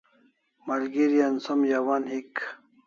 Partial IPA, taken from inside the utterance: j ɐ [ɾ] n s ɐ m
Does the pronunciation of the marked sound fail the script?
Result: yes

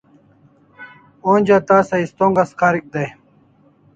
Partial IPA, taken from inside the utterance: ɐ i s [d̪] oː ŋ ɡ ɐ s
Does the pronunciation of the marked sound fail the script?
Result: yes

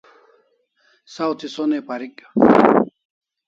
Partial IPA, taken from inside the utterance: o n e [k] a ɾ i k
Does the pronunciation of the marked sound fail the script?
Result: yes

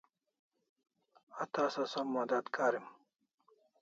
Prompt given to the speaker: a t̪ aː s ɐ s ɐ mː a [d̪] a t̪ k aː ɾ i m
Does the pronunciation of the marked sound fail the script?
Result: no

